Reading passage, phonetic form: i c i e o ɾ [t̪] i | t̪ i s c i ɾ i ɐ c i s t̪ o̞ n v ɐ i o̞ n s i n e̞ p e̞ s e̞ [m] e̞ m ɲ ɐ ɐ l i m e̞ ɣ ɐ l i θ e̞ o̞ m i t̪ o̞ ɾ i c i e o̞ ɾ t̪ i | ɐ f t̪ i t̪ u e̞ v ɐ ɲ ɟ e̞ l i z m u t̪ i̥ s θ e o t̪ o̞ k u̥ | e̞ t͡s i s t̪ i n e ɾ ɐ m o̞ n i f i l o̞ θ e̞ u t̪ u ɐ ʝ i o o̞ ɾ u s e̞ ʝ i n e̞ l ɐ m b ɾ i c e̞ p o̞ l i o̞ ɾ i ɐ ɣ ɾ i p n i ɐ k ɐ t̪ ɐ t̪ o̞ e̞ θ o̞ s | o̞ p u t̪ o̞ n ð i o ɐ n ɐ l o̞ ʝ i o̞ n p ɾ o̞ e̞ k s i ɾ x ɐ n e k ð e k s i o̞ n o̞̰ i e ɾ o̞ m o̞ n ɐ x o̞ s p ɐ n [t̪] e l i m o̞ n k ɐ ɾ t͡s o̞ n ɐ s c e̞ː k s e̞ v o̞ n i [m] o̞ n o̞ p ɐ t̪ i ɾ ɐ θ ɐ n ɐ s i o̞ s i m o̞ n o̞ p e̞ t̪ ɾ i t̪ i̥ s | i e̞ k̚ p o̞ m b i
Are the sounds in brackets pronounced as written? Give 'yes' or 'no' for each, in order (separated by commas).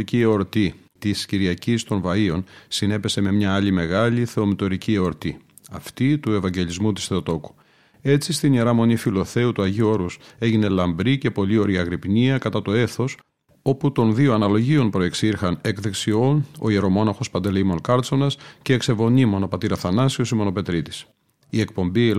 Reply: yes, yes, no, yes